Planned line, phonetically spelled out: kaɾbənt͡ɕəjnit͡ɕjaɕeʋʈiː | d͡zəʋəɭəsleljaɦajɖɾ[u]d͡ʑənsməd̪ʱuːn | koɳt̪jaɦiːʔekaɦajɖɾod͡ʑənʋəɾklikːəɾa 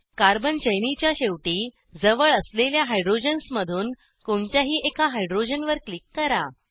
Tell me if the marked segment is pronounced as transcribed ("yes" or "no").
no